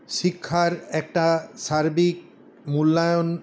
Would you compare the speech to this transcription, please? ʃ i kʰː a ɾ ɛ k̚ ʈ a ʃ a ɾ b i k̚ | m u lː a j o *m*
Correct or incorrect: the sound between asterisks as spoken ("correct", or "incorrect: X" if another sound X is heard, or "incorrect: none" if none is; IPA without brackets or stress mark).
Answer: incorrect: n